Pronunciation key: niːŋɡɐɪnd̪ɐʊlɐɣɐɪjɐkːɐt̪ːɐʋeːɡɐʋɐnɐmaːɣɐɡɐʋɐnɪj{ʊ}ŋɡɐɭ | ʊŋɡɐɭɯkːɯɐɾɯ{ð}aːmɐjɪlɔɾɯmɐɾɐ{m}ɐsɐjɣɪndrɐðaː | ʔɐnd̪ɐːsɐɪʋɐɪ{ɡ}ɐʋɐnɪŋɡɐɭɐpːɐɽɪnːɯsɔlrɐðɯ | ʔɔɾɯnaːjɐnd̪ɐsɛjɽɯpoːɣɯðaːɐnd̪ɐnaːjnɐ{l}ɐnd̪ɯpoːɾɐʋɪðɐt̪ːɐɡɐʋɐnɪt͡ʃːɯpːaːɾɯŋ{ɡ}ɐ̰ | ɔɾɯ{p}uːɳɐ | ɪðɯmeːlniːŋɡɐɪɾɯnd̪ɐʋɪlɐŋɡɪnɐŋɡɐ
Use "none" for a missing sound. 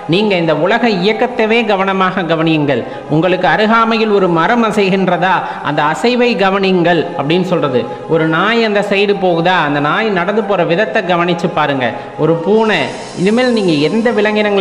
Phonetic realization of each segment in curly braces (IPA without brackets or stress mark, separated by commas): ɯ, ɣ, m, ɡ, ɽ, ɡ, p